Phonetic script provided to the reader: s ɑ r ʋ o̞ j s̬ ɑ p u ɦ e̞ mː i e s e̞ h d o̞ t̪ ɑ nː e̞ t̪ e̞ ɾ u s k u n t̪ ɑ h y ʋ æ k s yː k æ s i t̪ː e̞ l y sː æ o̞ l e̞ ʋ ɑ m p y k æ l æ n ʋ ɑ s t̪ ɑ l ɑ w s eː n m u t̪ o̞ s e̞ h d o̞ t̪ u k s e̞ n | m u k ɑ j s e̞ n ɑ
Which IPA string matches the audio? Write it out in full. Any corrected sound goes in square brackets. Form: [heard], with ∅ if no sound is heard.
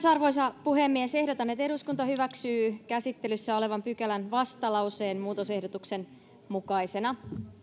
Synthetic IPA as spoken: s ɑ r ʋ o̞ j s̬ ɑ p u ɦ e̞ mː i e s e̞ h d o̞ t̪ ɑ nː e̞ t̪ e̞ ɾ u s k u n t̪ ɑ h y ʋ æ k s yː k æ s i t̪ː e̞ l y sː æ o̞ l e̞ ʋ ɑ m p y k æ l æ n ʋ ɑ s t̪ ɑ l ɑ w s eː n m [uː] t̪ o̞ s e̞ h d o̞ t̪ u k s e̞ n | m u k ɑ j s e̞ n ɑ